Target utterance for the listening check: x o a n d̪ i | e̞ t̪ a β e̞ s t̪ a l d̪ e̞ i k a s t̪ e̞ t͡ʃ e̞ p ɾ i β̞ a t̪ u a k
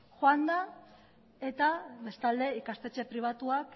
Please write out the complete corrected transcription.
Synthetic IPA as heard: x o a n d̪ a | e̞ t̪ a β e̞ s t̪ a l d̪ e̞ i k a s t̪ e̞ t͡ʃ e̞ p ɾ i β̞ a t̪ u a k